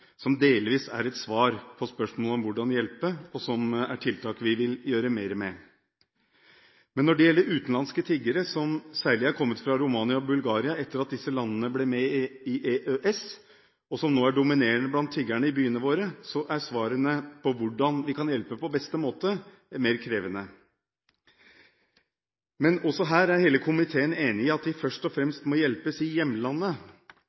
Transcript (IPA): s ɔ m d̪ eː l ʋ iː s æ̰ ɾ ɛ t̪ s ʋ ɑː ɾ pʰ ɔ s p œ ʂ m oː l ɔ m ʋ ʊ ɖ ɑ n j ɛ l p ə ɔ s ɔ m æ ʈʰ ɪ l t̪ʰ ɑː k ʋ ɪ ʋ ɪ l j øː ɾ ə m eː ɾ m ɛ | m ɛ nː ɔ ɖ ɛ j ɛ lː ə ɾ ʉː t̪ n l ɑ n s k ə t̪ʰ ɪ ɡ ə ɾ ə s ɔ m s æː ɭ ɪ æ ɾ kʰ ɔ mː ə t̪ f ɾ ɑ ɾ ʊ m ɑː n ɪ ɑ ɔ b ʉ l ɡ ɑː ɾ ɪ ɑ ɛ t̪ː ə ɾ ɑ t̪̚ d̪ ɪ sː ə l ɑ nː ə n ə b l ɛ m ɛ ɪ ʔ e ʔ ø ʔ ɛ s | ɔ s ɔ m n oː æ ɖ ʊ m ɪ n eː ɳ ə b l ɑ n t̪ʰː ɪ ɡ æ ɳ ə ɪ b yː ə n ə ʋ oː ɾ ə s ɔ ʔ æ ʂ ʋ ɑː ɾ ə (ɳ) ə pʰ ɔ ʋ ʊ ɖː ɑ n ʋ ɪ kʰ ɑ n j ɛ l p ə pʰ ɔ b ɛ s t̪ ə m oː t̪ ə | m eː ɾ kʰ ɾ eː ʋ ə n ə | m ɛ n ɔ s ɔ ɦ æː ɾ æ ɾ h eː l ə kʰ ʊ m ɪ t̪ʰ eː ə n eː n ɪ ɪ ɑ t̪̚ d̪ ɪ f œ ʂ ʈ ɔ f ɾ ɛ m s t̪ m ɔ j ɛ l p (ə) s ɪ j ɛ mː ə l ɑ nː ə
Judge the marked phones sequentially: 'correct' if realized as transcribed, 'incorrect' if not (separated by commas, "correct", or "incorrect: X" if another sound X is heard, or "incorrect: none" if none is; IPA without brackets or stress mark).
incorrect: n, correct